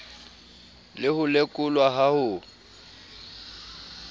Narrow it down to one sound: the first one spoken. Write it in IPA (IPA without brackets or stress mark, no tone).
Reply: l